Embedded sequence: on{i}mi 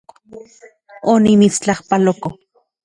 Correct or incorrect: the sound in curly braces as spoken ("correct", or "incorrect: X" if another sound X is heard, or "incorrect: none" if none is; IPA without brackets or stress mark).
correct